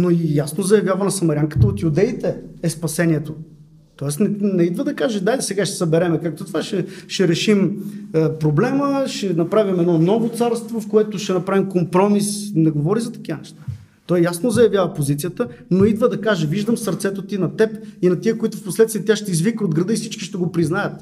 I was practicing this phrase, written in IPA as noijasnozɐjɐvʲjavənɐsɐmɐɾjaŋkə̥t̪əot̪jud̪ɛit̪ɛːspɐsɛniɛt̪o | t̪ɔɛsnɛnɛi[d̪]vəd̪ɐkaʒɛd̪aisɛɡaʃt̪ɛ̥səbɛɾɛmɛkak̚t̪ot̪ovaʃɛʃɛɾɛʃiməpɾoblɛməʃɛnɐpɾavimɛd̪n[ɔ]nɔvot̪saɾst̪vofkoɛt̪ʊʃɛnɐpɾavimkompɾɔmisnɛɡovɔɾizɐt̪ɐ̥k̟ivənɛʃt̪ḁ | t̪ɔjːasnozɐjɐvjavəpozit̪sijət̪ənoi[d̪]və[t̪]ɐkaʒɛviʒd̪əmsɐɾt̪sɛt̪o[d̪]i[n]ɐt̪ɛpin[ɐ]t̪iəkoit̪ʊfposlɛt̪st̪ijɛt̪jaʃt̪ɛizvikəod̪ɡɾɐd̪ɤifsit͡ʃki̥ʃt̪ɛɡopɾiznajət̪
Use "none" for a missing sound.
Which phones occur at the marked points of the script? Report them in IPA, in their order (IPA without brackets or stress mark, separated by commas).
d̪, ɔ, d̪, d̪, t̪, n, ɐ